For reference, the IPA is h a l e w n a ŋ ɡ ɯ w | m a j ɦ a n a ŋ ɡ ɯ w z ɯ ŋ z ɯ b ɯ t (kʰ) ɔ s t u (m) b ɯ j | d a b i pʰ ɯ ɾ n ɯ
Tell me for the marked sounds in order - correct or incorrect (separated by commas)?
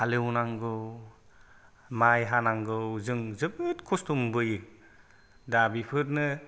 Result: correct, correct